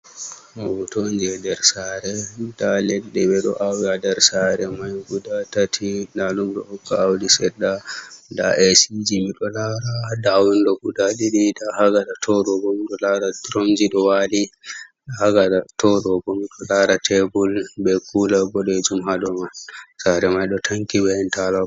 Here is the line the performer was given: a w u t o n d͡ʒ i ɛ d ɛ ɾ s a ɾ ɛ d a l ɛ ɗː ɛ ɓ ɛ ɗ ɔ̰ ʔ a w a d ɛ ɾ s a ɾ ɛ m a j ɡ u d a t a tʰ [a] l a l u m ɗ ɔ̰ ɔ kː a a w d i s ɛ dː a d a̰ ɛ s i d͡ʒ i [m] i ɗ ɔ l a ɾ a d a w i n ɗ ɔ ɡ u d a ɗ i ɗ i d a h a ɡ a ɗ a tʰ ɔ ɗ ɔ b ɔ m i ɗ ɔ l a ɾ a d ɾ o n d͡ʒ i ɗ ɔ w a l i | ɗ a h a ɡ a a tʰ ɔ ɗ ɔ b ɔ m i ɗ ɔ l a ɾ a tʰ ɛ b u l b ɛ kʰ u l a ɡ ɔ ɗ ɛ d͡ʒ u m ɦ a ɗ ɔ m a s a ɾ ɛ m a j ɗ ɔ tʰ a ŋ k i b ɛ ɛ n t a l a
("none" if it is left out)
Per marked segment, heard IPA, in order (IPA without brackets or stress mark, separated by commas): i, m